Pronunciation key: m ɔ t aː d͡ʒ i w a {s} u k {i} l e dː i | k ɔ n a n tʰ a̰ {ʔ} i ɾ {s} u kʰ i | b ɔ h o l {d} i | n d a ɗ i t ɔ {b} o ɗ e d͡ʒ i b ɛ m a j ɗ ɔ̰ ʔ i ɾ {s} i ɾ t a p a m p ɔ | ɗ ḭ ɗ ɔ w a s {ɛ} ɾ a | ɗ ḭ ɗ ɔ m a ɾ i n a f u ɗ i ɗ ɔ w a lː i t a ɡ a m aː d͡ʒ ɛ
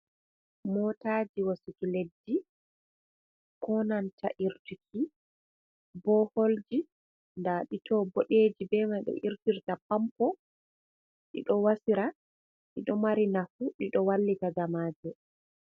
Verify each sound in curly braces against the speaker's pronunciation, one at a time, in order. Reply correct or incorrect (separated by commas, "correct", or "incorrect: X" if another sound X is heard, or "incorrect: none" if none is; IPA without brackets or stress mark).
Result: correct, correct, correct, incorrect: t, incorrect: d͡ʒ, correct, incorrect: t, incorrect: i